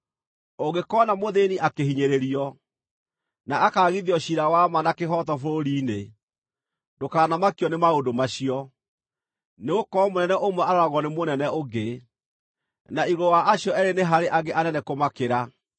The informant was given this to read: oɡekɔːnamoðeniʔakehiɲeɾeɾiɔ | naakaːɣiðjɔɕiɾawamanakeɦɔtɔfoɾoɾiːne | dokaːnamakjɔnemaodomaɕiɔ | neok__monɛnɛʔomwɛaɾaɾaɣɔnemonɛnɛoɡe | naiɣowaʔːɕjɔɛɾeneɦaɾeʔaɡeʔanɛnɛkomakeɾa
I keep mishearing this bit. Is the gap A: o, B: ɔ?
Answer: B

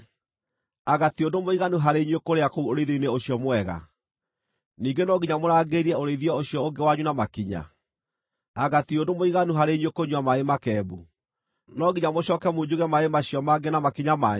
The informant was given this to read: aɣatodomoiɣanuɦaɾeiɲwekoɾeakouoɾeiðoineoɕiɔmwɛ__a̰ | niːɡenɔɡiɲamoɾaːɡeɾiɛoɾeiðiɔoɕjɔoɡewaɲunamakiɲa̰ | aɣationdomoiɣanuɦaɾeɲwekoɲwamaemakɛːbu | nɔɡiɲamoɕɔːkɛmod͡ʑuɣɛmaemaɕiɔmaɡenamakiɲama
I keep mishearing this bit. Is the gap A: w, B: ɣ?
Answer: B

